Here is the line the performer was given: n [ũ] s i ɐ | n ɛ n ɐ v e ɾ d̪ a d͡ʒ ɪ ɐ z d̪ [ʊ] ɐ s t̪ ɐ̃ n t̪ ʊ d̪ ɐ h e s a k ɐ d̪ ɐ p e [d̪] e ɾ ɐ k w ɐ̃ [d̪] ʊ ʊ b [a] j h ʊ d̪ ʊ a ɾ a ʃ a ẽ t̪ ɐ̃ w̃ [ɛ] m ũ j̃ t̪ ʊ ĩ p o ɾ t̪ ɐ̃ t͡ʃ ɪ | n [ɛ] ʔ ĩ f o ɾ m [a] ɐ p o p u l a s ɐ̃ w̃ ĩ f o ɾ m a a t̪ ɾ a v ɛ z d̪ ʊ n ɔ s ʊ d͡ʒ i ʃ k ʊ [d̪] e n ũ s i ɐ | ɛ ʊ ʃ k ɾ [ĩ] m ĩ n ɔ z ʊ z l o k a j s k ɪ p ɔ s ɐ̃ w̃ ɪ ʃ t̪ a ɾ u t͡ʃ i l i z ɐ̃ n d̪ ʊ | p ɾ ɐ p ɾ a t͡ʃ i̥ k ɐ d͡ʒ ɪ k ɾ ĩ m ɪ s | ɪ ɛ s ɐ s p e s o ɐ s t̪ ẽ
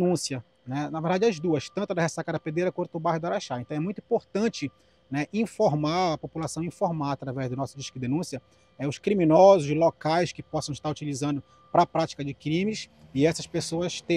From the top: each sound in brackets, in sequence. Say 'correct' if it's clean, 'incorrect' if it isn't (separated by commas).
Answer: correct, incorrect, correct, incorrect, correct, correct, correct, correct, correct, incorrect